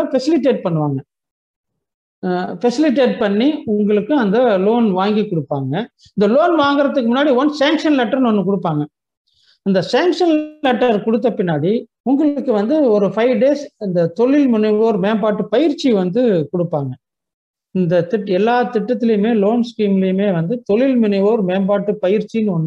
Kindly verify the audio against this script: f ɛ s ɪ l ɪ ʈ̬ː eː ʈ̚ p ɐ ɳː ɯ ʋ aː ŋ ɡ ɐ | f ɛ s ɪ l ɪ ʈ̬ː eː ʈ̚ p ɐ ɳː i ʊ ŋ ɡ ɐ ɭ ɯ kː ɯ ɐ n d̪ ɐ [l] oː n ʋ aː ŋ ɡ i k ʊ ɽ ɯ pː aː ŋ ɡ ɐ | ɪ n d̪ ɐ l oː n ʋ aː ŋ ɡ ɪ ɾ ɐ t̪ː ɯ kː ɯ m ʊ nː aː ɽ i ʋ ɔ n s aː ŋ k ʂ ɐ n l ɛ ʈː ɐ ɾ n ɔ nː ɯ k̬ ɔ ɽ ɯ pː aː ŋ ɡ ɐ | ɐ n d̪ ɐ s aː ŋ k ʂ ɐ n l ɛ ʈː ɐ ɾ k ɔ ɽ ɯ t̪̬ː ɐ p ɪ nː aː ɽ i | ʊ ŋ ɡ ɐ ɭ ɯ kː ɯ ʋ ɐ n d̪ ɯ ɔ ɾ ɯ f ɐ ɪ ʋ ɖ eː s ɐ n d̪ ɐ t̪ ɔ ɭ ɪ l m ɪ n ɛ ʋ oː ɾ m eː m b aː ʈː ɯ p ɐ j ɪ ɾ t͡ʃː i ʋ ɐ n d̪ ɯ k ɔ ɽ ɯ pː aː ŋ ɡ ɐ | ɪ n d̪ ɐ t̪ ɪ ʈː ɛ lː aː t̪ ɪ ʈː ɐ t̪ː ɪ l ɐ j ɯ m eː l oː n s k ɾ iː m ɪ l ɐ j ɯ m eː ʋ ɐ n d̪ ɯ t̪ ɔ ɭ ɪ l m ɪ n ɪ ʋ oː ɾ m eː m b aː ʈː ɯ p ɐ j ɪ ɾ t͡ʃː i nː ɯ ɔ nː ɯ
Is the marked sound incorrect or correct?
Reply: correct